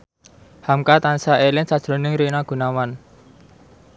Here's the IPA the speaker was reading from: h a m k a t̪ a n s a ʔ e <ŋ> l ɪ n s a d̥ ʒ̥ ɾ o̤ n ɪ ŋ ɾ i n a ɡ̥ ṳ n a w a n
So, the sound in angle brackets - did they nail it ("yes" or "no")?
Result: no